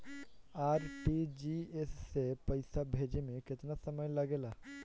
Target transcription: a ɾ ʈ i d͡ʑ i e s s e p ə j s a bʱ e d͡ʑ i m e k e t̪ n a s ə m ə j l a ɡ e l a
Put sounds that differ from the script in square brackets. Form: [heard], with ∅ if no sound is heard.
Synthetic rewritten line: a ɾ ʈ i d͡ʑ i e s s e p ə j s a bʱ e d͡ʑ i m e k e t̪ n a s ə m ə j l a ɡ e l a

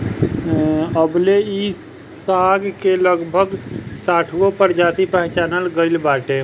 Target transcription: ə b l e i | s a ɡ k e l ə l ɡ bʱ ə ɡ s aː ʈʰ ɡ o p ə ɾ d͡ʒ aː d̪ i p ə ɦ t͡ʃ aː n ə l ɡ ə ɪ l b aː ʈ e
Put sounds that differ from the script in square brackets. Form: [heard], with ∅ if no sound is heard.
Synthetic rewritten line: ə b l e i | s a ɡ k e l ə [∅] ɡ bʱ ə ɡ s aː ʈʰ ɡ o p ə ɾ d͡ʒ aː [t̪] i p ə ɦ t͡ʃ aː n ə l ɡ ə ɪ l b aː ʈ e

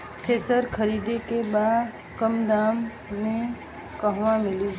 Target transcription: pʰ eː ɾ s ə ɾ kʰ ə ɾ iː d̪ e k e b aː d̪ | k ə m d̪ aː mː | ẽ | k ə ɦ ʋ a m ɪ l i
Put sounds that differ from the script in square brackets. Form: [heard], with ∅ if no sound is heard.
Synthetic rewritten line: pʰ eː [∅] s ə ɾ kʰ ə ɾ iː d̪ e k e b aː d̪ | k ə m d̪ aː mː | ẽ | k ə ɦ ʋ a m ɪ l i

